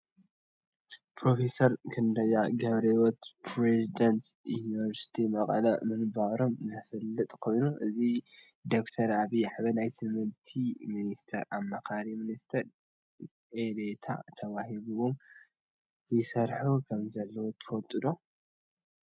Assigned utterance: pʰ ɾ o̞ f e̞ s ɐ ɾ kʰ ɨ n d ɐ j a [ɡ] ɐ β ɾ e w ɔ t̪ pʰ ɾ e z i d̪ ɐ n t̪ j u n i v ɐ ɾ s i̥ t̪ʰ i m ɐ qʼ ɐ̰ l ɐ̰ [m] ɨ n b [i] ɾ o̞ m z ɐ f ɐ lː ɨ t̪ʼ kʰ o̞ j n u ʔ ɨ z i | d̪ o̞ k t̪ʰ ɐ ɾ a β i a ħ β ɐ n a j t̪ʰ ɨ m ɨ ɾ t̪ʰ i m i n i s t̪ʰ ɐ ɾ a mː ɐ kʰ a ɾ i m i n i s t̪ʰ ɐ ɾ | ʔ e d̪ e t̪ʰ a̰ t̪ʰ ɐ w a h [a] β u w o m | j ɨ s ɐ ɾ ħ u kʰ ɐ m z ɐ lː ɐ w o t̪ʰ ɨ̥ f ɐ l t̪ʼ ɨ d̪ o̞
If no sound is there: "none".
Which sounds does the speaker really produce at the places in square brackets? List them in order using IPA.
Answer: ɡ, m, a, i

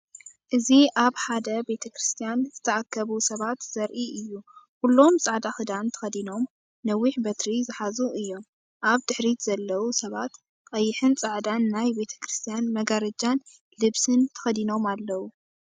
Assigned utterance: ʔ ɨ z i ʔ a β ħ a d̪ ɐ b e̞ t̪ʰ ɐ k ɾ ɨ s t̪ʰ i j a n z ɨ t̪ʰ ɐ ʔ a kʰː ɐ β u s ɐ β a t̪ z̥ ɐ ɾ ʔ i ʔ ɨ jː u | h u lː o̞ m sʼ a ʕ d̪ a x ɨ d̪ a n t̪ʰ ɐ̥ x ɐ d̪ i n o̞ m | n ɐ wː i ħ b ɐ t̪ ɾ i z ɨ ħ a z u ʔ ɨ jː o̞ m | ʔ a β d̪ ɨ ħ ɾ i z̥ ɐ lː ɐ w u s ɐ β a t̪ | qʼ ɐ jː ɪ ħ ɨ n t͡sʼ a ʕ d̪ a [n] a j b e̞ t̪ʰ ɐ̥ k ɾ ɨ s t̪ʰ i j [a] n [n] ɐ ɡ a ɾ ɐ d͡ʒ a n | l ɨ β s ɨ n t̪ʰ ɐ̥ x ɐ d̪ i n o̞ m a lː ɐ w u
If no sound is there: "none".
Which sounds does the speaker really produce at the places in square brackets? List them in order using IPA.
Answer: nː, a, m

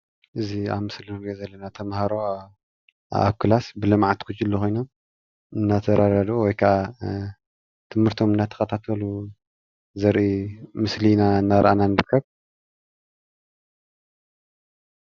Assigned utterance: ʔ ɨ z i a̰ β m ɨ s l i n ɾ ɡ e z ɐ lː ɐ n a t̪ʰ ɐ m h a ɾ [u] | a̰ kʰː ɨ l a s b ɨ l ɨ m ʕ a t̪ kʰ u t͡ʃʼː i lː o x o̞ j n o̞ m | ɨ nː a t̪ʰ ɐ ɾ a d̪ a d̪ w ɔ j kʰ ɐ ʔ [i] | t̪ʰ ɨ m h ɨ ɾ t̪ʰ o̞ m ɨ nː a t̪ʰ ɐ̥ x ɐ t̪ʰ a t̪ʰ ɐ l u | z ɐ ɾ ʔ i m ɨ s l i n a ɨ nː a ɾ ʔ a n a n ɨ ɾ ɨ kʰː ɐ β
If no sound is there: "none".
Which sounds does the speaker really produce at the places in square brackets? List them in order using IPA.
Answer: o, a

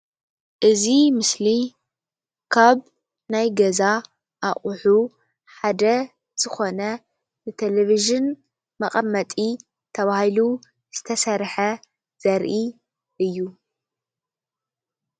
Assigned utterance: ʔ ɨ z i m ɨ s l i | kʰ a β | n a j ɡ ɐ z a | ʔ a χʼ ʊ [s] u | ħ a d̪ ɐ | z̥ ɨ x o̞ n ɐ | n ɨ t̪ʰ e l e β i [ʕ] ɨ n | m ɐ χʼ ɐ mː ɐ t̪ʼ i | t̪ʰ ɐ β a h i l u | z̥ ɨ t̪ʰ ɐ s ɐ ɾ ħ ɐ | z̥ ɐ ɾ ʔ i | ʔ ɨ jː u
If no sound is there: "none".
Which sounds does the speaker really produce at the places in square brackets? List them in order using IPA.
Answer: ħ, ʒ

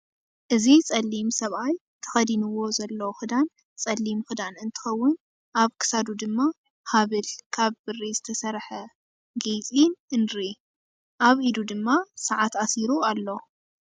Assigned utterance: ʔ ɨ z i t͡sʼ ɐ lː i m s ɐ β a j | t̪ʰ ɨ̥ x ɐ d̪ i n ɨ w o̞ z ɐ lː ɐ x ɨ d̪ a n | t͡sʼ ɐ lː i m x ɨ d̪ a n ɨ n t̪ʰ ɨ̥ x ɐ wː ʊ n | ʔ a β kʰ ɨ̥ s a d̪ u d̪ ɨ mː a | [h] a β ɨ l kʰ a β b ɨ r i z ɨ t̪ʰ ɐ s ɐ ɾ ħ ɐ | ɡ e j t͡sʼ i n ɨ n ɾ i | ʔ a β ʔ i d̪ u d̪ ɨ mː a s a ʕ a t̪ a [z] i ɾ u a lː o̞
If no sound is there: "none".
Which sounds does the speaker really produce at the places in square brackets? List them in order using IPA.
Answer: h, s

